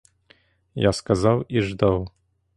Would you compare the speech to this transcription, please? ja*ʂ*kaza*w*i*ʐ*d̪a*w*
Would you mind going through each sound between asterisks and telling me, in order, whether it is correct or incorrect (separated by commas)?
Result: incorrect, correct, correct, correct